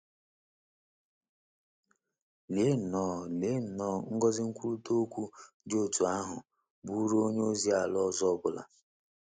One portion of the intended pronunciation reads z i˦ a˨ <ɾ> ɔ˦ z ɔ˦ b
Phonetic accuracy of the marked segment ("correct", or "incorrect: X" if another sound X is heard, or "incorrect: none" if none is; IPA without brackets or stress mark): incorrect: l